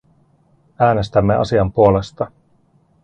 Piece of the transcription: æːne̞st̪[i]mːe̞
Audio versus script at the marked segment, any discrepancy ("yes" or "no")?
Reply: yes